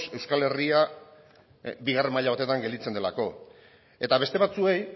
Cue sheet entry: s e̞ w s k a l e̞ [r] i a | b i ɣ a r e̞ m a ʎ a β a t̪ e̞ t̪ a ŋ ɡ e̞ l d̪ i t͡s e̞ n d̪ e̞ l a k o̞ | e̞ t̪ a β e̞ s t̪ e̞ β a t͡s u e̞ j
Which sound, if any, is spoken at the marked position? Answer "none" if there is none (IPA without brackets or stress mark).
r